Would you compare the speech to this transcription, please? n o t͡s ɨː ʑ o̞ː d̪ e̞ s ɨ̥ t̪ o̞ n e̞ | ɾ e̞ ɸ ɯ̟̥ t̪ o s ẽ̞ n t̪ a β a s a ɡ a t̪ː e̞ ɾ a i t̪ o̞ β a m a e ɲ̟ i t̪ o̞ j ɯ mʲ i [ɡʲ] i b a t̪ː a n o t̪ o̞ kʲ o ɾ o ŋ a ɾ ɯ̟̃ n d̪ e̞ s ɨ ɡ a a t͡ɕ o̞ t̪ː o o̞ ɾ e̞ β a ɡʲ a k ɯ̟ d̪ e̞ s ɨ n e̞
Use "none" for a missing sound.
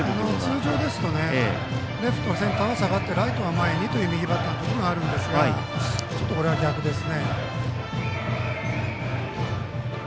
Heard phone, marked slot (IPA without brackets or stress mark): ɡʲ